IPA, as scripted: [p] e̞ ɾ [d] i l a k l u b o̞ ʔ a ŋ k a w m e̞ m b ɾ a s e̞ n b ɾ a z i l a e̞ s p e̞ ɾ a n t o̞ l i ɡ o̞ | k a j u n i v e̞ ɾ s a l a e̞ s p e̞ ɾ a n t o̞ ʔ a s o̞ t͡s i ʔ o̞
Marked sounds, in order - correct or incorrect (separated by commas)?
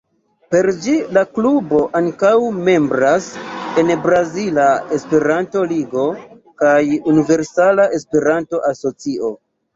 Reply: correct, incorrect